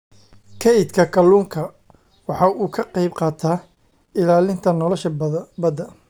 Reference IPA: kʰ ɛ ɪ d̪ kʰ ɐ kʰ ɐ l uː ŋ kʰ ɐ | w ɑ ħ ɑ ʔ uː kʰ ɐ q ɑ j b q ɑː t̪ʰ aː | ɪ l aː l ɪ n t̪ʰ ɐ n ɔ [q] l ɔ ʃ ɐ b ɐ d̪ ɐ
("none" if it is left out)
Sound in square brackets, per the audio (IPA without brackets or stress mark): none